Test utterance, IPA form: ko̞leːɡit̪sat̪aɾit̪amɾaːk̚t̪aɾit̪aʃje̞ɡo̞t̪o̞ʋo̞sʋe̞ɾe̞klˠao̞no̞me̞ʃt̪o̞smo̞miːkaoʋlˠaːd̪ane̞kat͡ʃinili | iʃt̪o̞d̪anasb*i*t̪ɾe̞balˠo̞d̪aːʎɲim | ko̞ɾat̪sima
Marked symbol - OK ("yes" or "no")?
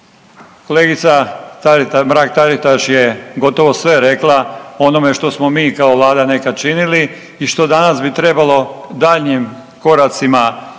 yes